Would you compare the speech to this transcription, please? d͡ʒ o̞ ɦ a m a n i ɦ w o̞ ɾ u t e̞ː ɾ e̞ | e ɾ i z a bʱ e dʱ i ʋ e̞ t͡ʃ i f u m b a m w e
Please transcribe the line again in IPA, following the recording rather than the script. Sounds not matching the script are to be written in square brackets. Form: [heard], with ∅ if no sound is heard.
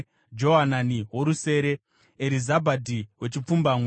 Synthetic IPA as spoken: d͡ʒ o̞ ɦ a [n] a n i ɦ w o̞ ɾ u [s] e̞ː ɾ e̞ | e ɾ i z a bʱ [a] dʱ i [w] e̞ t͡ʃ i [p͡f] u m b a m w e